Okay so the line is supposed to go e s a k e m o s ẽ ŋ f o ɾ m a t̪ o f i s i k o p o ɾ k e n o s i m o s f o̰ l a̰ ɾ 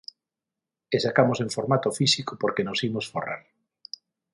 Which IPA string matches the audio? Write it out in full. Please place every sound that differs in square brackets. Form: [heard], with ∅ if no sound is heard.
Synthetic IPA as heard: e s a k [a] m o s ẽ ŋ f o ɾ m a t̪ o f i s i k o p o ɾ k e n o s i m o s f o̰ [r] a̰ ɾ